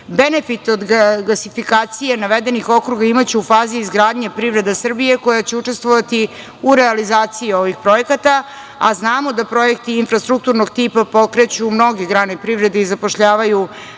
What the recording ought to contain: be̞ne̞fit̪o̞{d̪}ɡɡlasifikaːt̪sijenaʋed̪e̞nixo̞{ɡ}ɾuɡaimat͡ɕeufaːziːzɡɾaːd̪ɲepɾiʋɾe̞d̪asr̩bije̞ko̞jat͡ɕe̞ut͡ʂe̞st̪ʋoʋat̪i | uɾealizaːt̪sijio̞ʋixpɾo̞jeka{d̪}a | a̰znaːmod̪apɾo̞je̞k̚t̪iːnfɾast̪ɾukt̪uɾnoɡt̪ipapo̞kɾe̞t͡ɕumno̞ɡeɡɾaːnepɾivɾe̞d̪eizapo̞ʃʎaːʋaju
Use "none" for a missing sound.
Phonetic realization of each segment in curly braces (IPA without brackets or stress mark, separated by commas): d̪, k, t̪